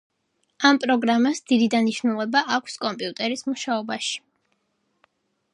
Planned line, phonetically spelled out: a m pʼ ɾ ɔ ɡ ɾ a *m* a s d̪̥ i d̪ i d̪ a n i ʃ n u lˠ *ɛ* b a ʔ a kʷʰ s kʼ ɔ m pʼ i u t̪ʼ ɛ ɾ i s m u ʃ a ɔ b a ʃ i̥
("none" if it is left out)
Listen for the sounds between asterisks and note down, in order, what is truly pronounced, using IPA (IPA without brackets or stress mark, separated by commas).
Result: m, ɛ